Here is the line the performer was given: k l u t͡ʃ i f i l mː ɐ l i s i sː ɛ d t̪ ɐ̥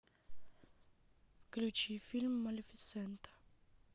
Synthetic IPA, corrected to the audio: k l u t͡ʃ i f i l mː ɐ l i f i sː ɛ n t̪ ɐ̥